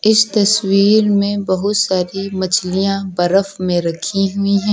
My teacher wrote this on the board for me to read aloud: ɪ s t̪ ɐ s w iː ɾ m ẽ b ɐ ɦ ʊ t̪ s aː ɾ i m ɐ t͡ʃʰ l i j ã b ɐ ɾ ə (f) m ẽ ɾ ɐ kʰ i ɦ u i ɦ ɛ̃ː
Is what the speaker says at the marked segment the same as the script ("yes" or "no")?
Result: yes